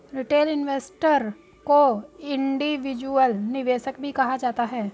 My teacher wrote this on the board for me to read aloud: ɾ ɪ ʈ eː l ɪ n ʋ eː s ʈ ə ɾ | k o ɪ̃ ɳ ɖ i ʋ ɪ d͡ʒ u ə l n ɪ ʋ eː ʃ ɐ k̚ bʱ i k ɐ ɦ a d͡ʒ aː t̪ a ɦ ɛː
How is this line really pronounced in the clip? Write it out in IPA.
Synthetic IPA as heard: ɾ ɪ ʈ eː l ɪ n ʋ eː s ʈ ə ɾ | k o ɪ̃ ɳ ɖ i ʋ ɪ d͡ʒ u ə l n ɪ ʋ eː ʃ ə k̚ bʱ i k ɐ ɦ a d͡ʒ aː t̪ a ɦ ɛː